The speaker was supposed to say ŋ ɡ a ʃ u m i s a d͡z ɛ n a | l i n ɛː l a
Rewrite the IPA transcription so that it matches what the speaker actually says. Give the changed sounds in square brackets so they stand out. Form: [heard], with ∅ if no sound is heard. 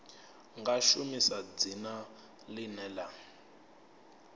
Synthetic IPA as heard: ŋ ɡ a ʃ u m i s a d͡z [i] n a | l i n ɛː l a